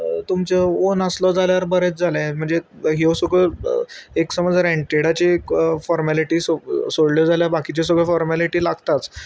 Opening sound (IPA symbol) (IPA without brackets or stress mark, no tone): t̪